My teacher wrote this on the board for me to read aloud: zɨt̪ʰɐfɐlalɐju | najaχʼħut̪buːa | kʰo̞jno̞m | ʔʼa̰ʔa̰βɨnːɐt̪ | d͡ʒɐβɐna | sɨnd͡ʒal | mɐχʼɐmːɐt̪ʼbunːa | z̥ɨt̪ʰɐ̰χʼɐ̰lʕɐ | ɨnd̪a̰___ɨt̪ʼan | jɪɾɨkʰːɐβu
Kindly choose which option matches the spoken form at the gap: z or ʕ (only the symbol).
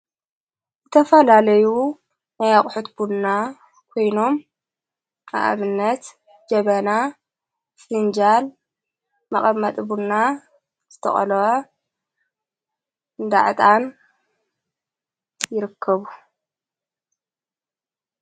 ʕ